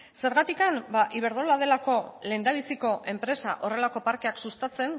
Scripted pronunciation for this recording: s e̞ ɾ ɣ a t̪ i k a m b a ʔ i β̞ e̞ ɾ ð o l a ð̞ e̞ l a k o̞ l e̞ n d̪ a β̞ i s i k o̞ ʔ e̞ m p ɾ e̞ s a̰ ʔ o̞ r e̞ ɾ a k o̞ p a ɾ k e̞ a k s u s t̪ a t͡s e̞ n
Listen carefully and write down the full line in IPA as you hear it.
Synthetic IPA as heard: s e̞ ɾ ɣ a t̪ i k a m b a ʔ i β̞ e̞ ɾ ð o l a ð̞ e̞ l a k o̞ l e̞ n d̪ a β̞ i s i k o̞ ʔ e̞ m p ɾ e̞ s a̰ ʔ o̞ r e̞ l a k o̞ p a ɾ k e̞ a k s u s t̪ a t͡s e̞ n